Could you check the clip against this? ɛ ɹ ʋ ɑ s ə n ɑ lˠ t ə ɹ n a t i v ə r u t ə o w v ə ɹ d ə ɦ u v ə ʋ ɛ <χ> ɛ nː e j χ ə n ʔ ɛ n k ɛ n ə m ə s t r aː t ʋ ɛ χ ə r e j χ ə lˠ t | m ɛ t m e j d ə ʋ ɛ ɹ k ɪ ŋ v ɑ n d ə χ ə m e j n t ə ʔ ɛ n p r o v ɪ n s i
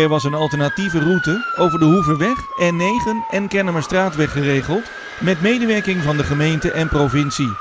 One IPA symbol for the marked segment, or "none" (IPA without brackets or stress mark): χ